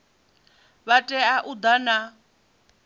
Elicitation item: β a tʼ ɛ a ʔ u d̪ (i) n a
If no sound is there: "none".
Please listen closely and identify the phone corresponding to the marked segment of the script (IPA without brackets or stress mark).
a